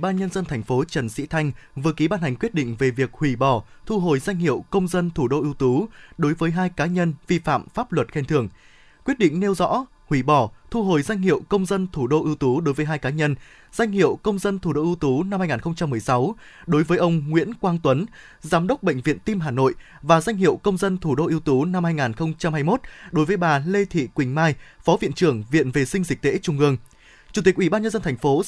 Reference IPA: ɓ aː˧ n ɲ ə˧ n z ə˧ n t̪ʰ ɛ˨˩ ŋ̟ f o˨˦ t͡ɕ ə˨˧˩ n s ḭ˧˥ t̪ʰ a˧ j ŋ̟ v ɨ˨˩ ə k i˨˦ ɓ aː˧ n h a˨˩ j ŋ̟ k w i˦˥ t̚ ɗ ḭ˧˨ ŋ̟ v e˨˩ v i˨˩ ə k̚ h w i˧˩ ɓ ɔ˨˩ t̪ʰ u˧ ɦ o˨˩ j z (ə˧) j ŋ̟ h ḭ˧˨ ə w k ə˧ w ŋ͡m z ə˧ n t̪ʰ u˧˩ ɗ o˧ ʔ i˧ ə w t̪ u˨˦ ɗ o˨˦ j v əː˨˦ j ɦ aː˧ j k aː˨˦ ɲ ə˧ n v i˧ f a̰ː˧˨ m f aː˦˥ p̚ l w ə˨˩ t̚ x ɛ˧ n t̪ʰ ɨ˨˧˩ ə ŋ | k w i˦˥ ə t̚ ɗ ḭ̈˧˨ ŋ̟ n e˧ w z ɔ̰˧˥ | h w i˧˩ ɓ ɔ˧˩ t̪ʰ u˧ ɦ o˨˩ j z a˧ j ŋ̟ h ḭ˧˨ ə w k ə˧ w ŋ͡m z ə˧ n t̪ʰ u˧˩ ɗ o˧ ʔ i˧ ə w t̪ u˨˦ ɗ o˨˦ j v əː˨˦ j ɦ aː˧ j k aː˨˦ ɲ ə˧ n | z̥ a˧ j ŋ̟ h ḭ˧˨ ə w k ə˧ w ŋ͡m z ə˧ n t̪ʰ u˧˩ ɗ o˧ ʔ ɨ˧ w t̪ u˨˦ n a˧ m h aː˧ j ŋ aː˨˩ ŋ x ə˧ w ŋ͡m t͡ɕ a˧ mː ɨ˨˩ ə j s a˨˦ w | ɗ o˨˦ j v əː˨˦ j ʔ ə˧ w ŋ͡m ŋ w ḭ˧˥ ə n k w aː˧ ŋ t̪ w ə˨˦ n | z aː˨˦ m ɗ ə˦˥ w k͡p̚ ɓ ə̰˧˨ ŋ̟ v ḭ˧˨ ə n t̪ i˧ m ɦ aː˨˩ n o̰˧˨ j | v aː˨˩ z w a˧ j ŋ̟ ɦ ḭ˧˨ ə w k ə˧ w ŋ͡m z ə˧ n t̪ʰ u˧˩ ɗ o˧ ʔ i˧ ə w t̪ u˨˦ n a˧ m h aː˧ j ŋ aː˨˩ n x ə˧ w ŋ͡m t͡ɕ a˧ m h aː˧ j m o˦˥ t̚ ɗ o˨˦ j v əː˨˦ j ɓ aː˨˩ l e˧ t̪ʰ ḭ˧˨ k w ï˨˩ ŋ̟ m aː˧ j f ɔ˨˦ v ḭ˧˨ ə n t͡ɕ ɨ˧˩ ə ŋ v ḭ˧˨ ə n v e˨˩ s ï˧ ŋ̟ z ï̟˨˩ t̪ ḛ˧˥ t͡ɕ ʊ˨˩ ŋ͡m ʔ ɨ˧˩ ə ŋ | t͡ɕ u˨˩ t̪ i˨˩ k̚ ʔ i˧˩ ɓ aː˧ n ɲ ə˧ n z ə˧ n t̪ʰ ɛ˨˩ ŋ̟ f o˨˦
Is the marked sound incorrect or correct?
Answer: incorrect